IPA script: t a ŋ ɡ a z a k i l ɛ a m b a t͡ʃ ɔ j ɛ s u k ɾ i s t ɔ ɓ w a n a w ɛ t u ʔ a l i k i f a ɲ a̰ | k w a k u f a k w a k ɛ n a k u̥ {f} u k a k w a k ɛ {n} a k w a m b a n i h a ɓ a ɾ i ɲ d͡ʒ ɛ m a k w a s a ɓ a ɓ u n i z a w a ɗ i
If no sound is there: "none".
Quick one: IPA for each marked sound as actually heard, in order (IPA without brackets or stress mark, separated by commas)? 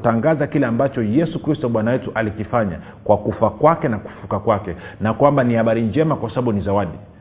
f, n